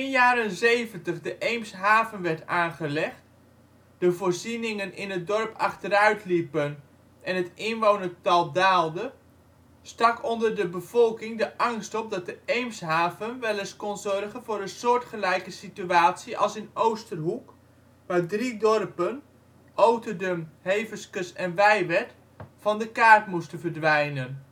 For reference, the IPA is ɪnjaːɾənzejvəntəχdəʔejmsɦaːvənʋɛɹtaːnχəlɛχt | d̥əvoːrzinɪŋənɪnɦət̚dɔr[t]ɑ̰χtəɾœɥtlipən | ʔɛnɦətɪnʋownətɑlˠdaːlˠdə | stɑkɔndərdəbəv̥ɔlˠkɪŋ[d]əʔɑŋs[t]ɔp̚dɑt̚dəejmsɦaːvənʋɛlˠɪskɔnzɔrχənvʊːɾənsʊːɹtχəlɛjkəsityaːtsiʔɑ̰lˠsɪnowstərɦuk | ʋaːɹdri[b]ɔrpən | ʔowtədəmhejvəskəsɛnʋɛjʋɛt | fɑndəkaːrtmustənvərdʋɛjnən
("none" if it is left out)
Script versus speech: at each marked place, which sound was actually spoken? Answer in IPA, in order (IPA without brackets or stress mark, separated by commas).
p, d, t, d